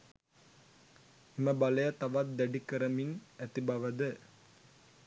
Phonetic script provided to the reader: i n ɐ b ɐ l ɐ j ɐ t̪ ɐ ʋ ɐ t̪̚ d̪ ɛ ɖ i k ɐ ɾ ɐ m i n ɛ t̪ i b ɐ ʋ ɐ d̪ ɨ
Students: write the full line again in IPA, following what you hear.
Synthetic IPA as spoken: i m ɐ b ɐ l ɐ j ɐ t̪ ɐ ʋ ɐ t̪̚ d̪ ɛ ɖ i k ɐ ɾ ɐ m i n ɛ t̪ i b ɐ ʋ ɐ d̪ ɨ